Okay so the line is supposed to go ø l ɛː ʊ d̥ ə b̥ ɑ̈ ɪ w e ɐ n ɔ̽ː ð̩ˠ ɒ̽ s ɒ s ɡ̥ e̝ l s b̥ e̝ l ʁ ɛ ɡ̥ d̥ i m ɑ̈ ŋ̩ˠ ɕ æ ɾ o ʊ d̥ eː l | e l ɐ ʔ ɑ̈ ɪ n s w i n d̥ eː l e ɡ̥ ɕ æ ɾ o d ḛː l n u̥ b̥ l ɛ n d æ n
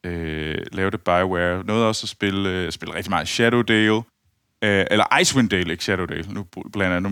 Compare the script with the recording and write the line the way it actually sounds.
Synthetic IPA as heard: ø l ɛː ʊ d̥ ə b̥ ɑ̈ ɪ w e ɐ n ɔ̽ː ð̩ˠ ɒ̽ s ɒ s b̥ e̝ l s b̥ e̝ l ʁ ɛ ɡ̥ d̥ i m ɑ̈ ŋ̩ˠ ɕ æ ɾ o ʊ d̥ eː l | e l ɐ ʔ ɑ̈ ɪ s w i n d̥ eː l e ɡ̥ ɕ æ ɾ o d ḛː l n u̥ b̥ l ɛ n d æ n